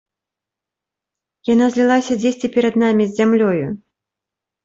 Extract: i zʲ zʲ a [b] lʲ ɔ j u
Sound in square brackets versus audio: incorrect: m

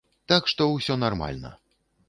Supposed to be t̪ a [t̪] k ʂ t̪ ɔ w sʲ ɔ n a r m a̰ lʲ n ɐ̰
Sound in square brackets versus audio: incorrect: none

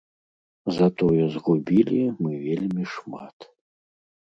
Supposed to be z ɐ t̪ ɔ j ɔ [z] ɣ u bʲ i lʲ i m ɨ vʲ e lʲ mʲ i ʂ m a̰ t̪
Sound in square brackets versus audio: correct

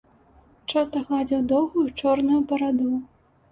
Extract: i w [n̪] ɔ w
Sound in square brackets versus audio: incorrect: d̪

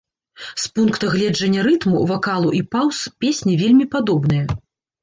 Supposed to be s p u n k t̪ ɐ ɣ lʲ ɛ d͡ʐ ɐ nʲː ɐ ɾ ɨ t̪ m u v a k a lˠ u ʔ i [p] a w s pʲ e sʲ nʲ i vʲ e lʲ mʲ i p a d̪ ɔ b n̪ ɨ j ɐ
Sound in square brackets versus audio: correct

